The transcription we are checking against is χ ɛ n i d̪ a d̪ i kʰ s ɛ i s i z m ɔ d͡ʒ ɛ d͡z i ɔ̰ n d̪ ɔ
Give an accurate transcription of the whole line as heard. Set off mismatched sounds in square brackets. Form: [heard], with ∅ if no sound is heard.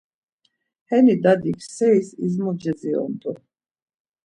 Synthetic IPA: [h] ɛ n i d̪ a d̪ i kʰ s ɛ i s i z m ɔ d͡ʒ ɛ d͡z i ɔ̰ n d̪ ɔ